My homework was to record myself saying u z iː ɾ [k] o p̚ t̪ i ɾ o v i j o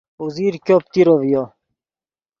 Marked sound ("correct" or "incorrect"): correct